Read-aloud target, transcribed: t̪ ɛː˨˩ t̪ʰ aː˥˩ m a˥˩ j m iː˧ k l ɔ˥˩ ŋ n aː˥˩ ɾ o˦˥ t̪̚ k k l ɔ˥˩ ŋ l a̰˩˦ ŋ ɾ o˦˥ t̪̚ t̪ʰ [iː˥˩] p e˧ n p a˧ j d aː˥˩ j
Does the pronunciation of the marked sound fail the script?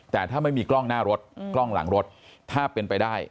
yes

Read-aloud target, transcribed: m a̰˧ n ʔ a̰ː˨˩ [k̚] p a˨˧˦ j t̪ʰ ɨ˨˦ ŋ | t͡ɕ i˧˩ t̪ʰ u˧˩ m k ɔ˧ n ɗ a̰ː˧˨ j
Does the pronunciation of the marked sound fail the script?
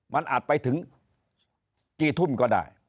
yes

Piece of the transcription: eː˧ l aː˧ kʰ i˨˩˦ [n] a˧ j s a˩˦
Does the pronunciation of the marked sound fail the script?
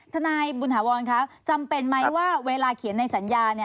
yes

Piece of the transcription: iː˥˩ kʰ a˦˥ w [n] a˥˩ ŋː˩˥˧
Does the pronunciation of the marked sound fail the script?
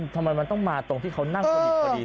no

